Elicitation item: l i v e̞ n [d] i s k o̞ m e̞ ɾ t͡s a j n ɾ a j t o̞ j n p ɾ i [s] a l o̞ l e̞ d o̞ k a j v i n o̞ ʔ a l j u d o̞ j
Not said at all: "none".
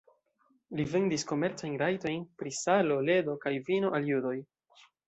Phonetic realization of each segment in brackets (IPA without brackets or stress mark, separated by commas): d, s